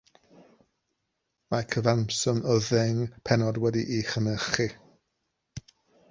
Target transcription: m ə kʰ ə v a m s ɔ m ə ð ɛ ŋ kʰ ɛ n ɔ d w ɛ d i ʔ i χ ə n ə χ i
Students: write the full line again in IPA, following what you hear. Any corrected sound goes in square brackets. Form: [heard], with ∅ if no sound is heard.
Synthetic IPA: m [a] kʰ ə v a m s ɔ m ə ð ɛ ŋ [pʰ] ɛ n ɔ d w ɛ d i ʔ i χ ə n ə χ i